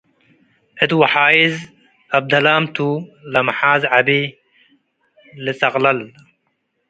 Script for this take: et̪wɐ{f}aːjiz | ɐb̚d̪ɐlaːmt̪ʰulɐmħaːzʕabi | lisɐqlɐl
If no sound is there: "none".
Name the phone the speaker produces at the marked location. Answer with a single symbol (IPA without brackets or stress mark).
ħ